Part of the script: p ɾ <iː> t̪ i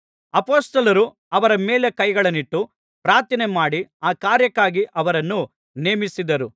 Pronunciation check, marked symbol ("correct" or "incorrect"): incorrect